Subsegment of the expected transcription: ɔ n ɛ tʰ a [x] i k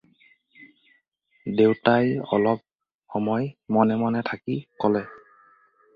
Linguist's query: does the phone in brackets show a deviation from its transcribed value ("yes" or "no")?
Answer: yes